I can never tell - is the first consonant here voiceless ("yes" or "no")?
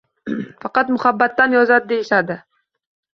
yes